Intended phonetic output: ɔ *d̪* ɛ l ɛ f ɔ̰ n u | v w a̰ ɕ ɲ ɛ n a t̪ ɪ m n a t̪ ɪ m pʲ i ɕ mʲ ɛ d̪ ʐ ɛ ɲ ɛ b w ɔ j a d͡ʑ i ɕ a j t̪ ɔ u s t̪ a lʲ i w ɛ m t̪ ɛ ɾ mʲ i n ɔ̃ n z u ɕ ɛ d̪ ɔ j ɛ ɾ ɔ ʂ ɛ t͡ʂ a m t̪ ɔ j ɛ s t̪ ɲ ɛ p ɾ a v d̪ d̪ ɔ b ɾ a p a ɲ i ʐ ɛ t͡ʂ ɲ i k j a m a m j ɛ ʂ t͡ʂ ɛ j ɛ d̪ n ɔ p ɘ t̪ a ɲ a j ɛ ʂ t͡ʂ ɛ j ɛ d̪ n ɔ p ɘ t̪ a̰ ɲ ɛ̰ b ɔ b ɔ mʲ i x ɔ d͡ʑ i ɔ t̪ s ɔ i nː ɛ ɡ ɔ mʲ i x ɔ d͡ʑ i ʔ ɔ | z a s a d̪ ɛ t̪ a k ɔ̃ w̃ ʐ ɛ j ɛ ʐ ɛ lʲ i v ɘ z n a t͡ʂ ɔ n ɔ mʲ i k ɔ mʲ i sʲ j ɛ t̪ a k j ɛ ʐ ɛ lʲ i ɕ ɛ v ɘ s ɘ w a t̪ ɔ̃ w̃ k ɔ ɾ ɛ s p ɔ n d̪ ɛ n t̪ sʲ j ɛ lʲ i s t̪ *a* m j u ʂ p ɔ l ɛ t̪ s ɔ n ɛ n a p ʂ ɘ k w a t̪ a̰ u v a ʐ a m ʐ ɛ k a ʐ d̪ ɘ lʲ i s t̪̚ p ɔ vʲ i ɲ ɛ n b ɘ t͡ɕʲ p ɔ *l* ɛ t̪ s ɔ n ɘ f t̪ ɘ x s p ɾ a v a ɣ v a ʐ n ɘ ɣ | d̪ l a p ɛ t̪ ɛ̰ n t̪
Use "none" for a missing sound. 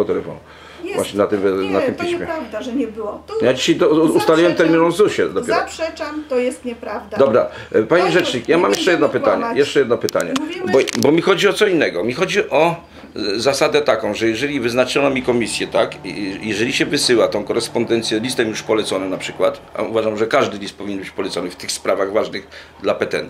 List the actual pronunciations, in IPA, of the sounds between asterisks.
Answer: t̪, ɛ, l

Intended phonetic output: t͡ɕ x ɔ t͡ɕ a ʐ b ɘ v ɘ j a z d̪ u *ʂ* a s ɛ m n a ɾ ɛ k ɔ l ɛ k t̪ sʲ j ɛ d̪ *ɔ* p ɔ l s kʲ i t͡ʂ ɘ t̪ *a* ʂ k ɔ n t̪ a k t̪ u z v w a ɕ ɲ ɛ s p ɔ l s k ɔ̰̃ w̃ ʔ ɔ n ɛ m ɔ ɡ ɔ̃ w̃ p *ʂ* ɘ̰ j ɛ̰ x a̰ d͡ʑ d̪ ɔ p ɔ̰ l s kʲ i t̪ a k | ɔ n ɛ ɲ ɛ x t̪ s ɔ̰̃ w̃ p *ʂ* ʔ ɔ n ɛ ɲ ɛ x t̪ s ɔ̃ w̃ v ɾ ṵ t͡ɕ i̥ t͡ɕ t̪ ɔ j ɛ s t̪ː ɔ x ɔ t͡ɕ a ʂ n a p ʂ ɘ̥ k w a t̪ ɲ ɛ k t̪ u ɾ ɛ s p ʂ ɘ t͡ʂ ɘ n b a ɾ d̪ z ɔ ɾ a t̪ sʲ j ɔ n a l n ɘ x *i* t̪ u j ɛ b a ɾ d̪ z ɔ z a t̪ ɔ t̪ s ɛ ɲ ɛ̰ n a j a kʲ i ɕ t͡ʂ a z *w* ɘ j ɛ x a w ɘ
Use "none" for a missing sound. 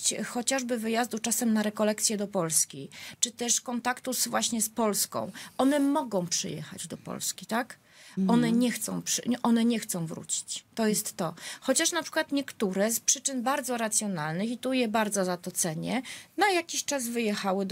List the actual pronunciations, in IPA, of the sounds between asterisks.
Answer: t͡ʂ, ɔ, ɛ, ʂ, ʂ, i, v

